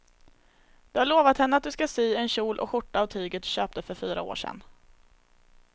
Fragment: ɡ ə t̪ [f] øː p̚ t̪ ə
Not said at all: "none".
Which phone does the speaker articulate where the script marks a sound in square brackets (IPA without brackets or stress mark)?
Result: ɕ